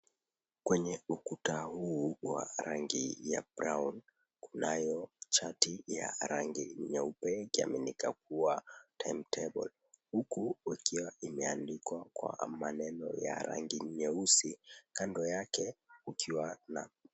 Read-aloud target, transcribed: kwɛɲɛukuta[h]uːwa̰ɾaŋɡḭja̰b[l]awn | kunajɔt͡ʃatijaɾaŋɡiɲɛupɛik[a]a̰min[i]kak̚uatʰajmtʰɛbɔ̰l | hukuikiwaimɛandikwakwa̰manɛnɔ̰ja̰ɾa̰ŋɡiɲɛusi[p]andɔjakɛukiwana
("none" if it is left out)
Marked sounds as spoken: h, ɾ, i, i, k

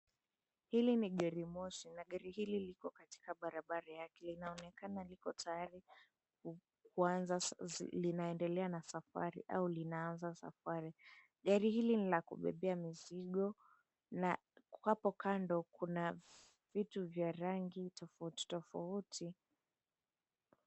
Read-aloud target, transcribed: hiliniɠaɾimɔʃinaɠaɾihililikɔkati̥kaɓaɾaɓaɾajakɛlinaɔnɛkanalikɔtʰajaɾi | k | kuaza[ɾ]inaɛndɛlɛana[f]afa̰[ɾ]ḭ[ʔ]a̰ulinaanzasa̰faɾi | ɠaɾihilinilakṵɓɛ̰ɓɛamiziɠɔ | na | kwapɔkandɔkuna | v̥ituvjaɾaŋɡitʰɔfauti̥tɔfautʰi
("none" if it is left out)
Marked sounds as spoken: l, s, ɾ, ʔ

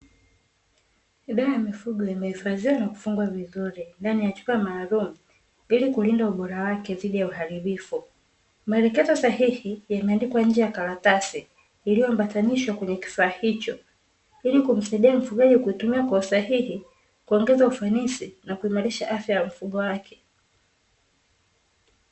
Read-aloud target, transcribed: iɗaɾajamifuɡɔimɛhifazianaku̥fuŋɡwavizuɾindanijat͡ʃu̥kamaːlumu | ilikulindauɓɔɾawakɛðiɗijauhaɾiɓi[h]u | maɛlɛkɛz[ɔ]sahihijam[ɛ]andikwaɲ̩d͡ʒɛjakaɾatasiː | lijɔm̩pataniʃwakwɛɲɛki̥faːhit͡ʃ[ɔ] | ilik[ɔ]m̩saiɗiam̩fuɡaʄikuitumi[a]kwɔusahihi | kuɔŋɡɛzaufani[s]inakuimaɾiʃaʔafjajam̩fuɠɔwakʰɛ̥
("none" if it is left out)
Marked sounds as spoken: f, ɔ, ɛ, ɔ, u, a, s

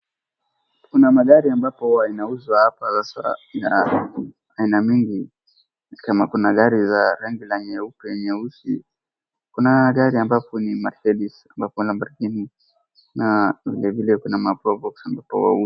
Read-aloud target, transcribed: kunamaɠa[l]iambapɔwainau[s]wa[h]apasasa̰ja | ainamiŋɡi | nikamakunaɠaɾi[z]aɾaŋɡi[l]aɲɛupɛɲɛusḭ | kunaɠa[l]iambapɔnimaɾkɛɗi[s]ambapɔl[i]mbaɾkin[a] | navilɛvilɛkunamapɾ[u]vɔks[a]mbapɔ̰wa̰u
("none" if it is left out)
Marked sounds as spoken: ɾ, z, h, z, l, ɾ, s, a, i, ɔ, a

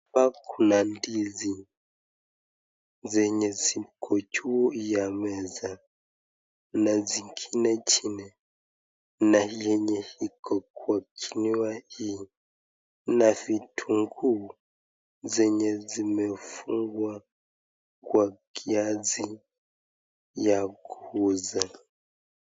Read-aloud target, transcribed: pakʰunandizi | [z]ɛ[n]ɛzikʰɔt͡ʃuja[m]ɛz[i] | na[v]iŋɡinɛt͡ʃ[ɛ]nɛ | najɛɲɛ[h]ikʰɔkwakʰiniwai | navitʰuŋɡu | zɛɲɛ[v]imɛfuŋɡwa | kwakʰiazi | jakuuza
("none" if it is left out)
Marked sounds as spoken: z, ɲ, m, a, z, i, h, z

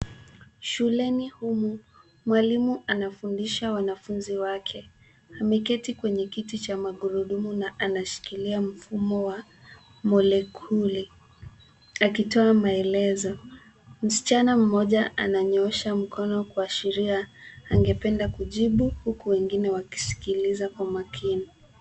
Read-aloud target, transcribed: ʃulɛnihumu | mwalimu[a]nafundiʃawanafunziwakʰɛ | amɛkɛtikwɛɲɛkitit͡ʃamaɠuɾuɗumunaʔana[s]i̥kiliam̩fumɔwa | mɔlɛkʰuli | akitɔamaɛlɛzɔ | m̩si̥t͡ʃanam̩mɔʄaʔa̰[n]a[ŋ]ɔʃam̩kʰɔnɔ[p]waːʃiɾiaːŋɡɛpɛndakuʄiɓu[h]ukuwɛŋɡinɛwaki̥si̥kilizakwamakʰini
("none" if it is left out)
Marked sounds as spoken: a, ʃ, n, ɲ, k, h

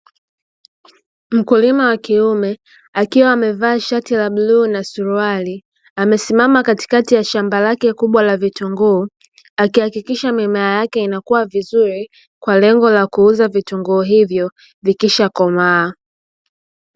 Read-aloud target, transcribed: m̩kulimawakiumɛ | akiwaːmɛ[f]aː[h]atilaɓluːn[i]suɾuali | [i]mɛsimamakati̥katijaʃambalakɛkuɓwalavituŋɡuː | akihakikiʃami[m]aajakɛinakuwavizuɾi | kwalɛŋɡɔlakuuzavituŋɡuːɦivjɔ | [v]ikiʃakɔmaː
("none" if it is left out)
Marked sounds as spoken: v, ʃ, a, a, m, v

